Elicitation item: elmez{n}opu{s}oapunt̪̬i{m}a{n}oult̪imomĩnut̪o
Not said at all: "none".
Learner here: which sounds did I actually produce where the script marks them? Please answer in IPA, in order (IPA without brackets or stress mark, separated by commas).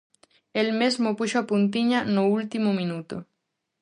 m, ʃ, ɲ, n